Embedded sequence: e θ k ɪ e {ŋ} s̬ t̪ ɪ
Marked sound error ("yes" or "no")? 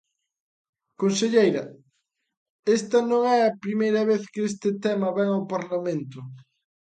yes